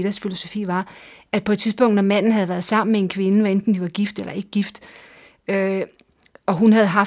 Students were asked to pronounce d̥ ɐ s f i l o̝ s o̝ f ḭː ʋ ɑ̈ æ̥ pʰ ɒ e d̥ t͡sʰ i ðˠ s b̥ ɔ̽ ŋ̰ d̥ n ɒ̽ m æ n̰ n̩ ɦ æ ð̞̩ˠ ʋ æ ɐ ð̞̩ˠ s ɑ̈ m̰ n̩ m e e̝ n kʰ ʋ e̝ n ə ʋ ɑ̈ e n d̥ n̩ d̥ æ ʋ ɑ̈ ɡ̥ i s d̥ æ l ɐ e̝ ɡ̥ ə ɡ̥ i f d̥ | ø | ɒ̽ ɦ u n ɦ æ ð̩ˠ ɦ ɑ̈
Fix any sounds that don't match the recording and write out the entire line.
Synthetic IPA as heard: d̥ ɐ s f i l o̝ s o̝ f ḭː ʋ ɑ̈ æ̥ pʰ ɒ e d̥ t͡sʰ i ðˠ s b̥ ɔ̽ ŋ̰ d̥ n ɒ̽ m æ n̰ n̩ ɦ æ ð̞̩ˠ ʋ æ ɐ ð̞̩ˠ s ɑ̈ m̰ n̩ m e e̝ n kʰ ʋ e̝ n ə ʋ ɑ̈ e n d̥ n̩ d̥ i ʋ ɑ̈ ɡ̥ i f d̥ e l ɐ e̝ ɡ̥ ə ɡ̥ i f d̥ | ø | ɒ̽ ɦ u n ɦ æ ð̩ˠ ɦ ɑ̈